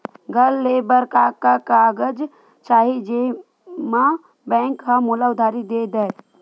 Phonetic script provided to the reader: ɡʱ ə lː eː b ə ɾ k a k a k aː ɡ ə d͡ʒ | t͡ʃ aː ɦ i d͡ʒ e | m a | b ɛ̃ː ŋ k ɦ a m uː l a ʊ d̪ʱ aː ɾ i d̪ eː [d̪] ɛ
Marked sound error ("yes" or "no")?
no